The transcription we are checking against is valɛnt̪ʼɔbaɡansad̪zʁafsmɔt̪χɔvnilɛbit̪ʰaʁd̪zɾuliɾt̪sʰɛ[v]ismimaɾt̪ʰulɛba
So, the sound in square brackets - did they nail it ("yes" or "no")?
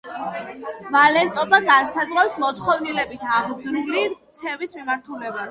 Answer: yes